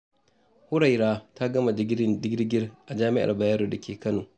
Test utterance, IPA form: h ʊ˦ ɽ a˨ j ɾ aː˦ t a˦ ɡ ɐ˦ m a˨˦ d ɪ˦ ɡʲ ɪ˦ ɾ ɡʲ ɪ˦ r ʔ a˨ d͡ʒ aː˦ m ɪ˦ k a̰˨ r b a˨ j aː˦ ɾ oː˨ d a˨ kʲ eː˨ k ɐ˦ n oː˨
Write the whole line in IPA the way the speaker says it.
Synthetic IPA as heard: h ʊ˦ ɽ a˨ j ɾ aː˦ t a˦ ɡ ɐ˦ m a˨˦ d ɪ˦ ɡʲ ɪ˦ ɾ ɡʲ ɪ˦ r ʔ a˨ d͡ʒ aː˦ m ɪ˦ ʔ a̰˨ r b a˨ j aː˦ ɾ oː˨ d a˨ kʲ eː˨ k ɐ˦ n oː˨